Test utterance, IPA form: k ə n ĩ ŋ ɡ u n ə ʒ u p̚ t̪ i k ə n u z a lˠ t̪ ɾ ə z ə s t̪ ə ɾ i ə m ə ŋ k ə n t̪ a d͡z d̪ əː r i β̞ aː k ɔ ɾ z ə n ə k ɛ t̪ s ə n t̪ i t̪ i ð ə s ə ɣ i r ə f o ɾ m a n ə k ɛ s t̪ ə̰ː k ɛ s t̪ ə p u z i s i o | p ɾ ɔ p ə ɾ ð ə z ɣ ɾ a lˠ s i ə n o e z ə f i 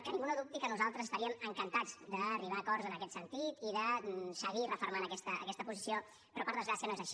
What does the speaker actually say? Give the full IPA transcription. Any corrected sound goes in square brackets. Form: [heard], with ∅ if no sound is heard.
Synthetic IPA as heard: k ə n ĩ ŋ ɡ u n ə [ð] u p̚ t̪ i k ə n u z a lˠ t̪ ɾ ə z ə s t̪ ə ɾ i ə m ə ŋ k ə n t̪ a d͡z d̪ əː r i β̞ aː k ɔ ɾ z ə n ə k ɛ t̪ s ə n t̪ i t̪ i ð ə s ə ɣ i r ə f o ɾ m a n ə k ɛ s t̪ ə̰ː k ɛ s t̪ ə p u z i s i o | p ɾ ɔ p ə ɾ ð ə z ɣ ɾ a [∅] s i ə n o e z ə [ʃ] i